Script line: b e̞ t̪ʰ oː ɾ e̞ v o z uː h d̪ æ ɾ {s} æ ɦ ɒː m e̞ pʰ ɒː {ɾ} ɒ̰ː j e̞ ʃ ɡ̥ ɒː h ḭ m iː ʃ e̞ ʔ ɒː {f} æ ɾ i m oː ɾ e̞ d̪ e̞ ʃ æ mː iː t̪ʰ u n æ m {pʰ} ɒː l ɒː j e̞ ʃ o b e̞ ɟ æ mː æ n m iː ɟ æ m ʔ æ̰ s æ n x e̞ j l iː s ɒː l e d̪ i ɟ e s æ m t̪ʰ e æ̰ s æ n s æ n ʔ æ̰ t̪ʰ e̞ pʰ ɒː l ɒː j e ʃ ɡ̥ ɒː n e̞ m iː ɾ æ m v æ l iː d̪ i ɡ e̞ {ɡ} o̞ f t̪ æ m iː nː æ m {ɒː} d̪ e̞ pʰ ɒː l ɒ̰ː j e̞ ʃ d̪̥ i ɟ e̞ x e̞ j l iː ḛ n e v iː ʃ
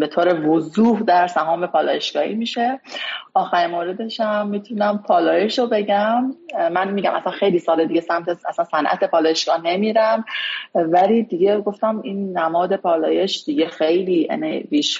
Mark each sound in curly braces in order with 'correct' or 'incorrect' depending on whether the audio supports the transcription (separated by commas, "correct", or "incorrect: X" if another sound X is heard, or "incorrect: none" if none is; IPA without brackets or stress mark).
correct, incorrect: l, incorrect: x, correct, correct, correct